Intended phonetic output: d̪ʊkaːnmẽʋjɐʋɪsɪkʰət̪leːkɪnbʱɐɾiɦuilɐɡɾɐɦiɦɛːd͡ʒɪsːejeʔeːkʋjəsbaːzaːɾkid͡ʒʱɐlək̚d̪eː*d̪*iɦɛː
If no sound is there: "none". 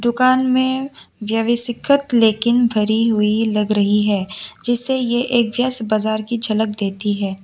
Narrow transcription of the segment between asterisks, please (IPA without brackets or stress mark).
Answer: t̪